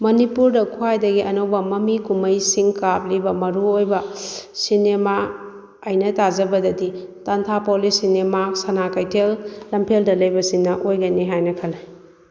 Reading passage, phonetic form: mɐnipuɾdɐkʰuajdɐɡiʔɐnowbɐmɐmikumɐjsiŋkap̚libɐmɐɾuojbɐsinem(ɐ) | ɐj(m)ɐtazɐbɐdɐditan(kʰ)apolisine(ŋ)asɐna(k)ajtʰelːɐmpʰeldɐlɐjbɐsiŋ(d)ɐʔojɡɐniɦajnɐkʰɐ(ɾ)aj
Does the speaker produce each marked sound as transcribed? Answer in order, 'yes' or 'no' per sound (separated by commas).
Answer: no, no, no, no, yes, no, no